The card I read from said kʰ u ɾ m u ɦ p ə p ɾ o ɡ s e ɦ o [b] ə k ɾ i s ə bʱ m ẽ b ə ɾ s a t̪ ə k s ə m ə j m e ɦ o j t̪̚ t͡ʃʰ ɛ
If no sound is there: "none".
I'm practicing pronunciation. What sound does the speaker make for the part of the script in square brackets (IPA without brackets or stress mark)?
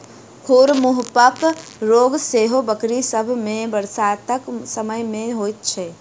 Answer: b